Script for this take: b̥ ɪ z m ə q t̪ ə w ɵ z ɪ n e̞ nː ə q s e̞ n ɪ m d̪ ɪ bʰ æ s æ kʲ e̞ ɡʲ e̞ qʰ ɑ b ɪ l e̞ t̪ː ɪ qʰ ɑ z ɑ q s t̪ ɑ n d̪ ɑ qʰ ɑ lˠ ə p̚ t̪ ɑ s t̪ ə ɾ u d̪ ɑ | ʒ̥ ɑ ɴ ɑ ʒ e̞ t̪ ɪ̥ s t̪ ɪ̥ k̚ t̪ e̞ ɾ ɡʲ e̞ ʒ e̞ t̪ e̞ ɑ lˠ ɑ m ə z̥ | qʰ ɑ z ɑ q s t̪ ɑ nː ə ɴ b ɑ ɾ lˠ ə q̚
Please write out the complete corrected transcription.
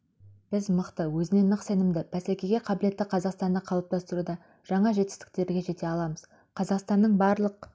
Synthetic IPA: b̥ ɪ z m ə q t̪ ə w ɵ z ɪ n e̞ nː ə q s e̞ n ɪ m d̪ ɪ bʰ æ s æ kʲ e̞ ɡʲ e̞ qʰ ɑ b ɪ l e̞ t̪ː ɪ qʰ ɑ z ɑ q s t̪ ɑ n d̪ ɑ qʰ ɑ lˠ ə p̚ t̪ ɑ s t̪ ə ɾ u d̪ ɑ | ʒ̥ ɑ ɴ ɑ ʒ e̞ t̪ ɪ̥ s t̪ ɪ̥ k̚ t̪ e̞ ɾ ɡʲ e̞ ʒ e̞ t̪ e̞ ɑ lˠ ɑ m ə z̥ | qʰ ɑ z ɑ q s t̪ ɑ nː ə ɴ b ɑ ɾ lˠ ə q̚